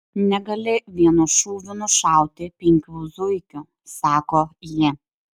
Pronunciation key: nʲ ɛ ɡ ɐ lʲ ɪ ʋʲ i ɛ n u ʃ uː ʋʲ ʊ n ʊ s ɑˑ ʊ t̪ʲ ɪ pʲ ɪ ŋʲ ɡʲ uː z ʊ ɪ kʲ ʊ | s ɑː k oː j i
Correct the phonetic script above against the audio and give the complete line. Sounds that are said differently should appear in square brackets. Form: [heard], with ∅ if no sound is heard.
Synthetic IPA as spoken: nʲ ɛ ɡ ɐ lʲ ɪ ʋʲ i ɛ n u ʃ uː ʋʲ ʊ n ʊ [ʃ] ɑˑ ʊ t̪ʲ ɪ pʲ ɪ ŋʲ [kʲ] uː z ʊ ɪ kʲ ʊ | s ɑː k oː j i